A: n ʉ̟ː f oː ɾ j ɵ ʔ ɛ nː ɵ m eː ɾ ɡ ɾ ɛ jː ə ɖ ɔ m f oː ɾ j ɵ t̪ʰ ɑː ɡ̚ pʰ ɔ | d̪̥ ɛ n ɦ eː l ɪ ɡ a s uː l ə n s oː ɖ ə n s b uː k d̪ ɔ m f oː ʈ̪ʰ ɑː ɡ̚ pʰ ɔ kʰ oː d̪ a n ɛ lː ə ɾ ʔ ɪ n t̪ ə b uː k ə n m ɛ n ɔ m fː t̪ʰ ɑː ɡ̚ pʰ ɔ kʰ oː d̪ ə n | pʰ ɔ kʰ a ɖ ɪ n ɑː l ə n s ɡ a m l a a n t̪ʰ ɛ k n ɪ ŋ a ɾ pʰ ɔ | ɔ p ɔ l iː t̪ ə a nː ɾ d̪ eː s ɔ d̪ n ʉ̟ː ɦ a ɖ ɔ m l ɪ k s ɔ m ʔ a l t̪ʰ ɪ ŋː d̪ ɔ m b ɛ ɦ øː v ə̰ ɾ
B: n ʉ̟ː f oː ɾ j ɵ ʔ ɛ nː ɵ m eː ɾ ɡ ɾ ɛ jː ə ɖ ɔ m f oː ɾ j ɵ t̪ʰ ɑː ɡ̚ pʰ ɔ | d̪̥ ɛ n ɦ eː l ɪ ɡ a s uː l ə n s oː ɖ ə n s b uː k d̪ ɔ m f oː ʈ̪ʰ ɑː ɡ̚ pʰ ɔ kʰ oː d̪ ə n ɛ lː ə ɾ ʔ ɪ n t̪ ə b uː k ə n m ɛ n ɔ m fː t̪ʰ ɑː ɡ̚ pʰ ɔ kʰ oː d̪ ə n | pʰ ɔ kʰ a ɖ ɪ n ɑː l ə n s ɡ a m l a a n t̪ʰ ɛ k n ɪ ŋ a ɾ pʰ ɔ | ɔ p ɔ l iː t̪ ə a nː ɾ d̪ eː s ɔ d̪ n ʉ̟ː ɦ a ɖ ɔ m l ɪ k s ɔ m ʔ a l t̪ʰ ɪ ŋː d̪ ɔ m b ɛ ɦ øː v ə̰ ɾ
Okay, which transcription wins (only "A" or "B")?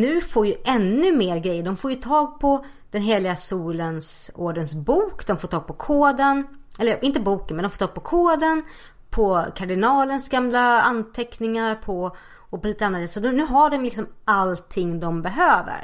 B